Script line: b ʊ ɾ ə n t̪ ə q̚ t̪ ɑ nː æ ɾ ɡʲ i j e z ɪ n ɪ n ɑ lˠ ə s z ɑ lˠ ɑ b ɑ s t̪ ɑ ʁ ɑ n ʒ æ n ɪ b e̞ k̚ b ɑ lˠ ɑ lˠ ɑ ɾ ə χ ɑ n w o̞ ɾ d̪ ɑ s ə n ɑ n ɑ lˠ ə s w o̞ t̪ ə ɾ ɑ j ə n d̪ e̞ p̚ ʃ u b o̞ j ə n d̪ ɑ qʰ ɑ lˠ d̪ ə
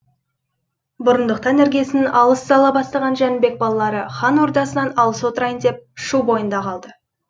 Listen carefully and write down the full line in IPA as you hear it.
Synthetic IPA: b ʊ ɾ ə n d̪ ə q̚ t̪ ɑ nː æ ɾ ɡʲ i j e s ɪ n ɪ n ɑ lˠ ə s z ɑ lˠ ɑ b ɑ s t̪ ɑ ʁ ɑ n ʒ æ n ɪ b e̞ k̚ b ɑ lˠ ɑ lˠ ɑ ɾ ə χ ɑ n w o̞ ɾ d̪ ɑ s ə n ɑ n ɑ lˠ ə s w o̞ t̪ ə ɾ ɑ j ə n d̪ e̞ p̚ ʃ u b o̞ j ə n d̪ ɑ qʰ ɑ lˠ d̪ ə